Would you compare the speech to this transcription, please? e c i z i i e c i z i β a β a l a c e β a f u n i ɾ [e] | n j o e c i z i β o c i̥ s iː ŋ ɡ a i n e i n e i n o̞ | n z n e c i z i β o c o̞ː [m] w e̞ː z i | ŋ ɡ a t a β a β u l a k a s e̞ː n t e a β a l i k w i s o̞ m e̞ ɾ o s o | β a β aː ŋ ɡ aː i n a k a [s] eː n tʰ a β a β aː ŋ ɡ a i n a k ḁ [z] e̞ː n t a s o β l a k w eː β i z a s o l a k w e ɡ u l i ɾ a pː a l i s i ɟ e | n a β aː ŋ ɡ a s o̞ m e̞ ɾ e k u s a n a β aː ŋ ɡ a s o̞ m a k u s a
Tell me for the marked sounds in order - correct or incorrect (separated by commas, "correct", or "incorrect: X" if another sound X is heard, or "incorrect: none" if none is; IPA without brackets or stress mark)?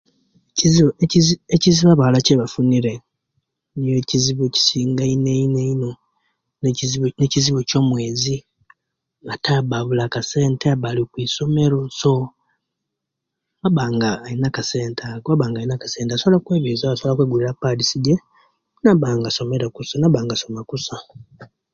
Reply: correct, correct, correct, incorrect: s